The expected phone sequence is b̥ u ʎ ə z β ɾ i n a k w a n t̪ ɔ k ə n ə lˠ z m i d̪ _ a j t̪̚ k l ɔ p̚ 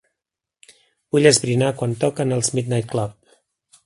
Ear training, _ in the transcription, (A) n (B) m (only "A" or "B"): A